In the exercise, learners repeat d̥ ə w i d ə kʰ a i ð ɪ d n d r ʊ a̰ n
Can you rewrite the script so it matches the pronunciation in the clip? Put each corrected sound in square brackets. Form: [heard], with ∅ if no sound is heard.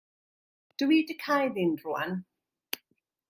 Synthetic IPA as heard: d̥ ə w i d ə kʰ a [j] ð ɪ [∅] n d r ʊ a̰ n